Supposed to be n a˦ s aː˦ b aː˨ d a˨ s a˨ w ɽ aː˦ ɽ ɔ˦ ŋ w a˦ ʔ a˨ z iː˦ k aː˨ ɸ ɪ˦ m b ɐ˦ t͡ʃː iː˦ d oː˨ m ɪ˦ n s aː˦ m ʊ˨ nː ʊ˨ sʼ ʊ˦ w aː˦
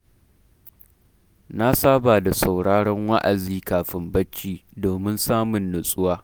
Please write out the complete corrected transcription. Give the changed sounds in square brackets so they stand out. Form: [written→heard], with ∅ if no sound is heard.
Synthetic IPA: n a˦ s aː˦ b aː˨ d a˨ s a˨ w ɽ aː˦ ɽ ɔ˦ ŋ w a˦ ʔ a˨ z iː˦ k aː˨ ɸ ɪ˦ m b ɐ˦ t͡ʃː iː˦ d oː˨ m ɪ˦ n s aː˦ m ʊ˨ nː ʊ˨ sʼ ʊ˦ w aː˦

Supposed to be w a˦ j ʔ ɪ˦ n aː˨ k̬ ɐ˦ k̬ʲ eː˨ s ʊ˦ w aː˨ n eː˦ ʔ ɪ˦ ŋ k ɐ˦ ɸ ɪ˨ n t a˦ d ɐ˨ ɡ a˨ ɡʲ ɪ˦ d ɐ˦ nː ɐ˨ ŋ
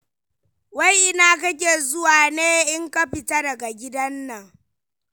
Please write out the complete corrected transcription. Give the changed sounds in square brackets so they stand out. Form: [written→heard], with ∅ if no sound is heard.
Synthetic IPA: w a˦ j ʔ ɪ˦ n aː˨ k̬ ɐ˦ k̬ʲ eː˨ [s→z] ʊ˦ w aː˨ n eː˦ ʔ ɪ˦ ŋ k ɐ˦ ɸ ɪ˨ [n→∅] t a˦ d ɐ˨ ɡ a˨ ɡʲ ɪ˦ d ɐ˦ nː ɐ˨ ŋ

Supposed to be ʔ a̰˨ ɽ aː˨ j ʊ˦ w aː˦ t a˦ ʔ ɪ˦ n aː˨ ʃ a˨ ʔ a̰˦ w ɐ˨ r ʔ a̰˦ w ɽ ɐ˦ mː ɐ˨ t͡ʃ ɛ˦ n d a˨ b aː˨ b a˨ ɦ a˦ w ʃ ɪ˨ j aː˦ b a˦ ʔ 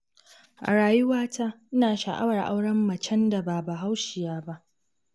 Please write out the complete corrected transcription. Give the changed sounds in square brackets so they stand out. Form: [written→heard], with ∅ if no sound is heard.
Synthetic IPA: ʔ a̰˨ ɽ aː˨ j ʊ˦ w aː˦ t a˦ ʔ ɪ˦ n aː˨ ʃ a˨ ʔ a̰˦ w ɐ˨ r ʔ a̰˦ w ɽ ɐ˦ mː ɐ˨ t͡ʃ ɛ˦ n d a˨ b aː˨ b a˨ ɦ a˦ w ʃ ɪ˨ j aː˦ b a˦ ʔ

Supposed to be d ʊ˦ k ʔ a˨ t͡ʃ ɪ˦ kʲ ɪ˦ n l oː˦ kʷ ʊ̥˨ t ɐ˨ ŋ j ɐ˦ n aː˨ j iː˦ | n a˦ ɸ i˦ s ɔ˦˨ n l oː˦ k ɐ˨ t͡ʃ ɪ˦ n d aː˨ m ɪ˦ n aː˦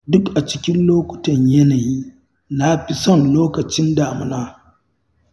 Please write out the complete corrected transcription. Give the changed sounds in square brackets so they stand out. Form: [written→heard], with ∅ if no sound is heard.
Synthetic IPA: d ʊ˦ k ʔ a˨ t͡ʃ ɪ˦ kʲ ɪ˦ n l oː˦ kʷ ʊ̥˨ t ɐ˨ [ŋ→ɲ] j ɐ˦ n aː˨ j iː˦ | n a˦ ɸ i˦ s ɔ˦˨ n l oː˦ k ɐ˨ t͡ʃ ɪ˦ n d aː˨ m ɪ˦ n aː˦

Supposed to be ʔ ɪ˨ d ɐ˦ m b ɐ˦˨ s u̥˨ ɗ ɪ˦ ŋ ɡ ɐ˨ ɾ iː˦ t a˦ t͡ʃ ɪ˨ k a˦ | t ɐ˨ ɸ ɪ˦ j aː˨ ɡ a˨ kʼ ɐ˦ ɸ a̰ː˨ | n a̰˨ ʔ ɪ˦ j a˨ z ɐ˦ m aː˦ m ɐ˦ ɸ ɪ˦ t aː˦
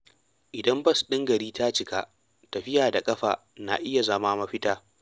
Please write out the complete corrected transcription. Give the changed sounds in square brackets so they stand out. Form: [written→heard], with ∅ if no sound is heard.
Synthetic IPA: ʔ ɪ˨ d ɐ˦ m b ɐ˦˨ s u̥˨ ɗ ɪ˦ ŋ ɡ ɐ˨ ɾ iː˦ t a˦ t͡ʃ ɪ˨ k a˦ | t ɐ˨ ɸ ɪ˦ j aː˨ [ɡ→d] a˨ kʼ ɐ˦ ɸ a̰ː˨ | n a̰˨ ʔ ɪ˦ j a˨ z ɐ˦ m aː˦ m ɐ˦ ɸ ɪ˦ t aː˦

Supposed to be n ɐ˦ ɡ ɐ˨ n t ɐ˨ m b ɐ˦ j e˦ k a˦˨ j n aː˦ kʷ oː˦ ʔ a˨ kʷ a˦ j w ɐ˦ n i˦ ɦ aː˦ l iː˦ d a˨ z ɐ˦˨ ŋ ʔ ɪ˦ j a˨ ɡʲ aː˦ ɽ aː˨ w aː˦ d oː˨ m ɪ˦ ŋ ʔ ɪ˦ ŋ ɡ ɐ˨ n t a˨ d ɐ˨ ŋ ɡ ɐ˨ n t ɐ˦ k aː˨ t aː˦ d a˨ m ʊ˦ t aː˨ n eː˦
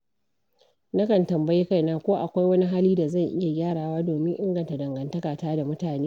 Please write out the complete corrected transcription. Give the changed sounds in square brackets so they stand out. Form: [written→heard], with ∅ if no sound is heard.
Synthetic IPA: n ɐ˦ [ɡ→k] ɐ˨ n t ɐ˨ m b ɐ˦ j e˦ k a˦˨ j n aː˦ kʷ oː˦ ʔ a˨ kʷ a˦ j w ɐ˦ n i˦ ɦ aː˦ l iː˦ d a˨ z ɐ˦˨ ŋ ʔ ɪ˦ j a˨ ɡʲ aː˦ ɽ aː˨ w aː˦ d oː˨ m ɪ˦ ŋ ʔ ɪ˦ ŋ ɡ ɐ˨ n t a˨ d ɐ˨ ŋ ɡ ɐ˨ n t ɐ˦ k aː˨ t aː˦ d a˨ m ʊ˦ t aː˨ n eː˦

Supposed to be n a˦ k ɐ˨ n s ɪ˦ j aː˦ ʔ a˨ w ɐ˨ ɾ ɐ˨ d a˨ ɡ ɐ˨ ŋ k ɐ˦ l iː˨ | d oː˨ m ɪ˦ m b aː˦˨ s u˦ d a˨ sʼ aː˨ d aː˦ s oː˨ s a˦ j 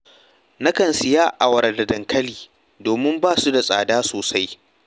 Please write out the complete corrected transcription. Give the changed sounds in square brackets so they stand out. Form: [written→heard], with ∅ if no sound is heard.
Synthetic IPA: n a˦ k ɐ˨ n s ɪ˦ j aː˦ ʔ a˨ w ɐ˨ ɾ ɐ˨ d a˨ [ɡ→d] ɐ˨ ŋ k ɐ˦ l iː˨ | d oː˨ m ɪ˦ m b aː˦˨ s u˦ d a˨ sʼ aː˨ d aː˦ s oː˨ s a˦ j

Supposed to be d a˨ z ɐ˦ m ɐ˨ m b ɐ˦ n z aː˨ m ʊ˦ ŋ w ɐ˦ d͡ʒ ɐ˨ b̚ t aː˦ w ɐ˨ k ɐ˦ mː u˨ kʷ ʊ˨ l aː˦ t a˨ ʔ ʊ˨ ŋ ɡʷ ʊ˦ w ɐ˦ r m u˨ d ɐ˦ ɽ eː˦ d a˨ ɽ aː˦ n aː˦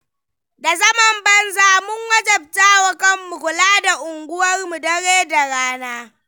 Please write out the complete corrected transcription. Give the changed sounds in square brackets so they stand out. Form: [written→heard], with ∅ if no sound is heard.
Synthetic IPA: d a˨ z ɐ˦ m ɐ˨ m b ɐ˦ n z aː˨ m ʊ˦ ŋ w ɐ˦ d͡ʒ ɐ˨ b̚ t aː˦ w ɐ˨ k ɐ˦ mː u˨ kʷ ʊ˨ l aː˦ [t→d] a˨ ʔ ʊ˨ ŋ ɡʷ ʊ˦ w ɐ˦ r m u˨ d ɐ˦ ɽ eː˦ d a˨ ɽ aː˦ n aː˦

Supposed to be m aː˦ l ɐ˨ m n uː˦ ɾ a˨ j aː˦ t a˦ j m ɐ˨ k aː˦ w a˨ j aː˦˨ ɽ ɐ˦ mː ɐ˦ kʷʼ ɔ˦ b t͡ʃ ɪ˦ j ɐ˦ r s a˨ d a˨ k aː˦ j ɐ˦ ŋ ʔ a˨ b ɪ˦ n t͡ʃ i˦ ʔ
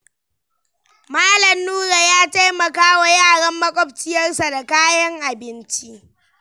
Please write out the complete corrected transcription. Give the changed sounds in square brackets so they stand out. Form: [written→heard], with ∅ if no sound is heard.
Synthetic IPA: m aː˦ l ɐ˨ m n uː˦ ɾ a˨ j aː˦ t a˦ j m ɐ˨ k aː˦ w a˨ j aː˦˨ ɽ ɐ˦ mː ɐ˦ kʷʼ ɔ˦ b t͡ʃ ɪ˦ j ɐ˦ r s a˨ d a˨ k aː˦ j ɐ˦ ŋ ʔ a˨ b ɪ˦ n t͡ʃ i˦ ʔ

